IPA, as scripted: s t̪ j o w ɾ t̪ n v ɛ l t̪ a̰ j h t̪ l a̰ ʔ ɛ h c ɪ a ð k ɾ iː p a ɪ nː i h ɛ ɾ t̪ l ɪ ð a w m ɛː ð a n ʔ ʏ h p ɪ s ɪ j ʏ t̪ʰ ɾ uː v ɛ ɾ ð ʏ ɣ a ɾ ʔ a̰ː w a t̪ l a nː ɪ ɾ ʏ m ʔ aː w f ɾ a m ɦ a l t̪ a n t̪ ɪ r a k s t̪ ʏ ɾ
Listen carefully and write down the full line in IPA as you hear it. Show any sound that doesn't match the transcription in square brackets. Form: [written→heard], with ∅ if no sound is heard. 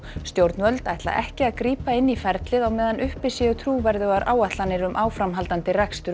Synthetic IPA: s t̪ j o w ɾ t̪ n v [ɛ→œ] l t̪ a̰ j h t̪ l a̰ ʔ ɛ h c ɪ a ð k ɾ iː p a ɪ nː i [h→f] ɛ ɾ t̪ l ɪ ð a w m ɛː ð a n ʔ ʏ h p ɪ s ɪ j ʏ t̪ʰ ɾ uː v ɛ ɾ ð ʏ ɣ a ɾ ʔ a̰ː w a t̪ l a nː ɪ ɾ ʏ m ʔ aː w f ɾ a m ɦ a l t̪ a n t̪ ɪ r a k s t̪ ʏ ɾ